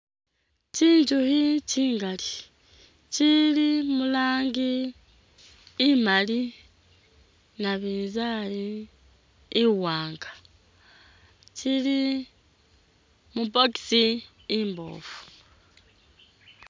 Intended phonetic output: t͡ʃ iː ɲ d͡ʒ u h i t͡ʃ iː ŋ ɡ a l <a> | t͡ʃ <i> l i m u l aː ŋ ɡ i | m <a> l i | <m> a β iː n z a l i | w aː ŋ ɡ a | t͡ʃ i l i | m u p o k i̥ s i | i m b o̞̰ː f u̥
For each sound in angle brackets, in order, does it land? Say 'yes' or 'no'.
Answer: no, yes, yes, no

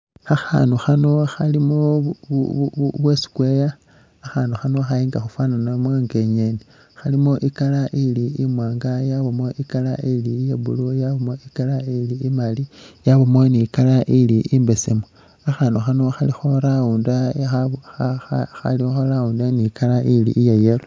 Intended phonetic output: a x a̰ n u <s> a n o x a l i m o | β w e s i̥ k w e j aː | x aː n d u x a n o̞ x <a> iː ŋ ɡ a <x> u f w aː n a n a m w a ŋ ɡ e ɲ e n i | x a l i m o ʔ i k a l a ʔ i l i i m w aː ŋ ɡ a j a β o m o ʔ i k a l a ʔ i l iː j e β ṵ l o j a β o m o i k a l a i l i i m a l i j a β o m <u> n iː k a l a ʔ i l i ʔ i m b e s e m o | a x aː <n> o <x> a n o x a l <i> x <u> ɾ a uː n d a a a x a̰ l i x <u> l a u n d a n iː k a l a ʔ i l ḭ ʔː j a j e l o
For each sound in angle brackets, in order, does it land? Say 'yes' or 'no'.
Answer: no, yes, yes, no, yes, yes, yes, no, no

